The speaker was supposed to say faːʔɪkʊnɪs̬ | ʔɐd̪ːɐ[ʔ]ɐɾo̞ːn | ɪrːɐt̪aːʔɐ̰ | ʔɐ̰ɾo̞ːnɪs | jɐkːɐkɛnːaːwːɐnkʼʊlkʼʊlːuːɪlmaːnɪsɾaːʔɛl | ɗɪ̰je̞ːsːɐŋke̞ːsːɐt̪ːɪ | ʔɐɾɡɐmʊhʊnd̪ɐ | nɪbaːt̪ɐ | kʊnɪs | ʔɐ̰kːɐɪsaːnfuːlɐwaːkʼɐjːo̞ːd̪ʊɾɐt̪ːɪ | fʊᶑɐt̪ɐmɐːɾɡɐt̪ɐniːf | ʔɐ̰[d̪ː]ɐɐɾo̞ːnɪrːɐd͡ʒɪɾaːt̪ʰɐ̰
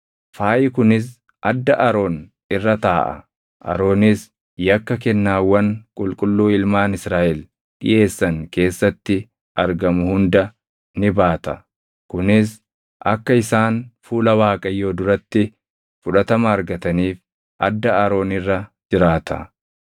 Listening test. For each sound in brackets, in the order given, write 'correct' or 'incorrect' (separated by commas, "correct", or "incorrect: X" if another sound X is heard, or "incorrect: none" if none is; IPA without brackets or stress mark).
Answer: correct, correct